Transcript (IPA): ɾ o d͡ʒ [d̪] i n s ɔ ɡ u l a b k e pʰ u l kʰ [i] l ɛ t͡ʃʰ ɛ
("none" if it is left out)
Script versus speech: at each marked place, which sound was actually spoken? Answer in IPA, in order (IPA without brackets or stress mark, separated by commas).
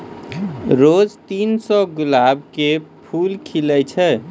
t̪, i